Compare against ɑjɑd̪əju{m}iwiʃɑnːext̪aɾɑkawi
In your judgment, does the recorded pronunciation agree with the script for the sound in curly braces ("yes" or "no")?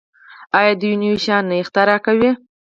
no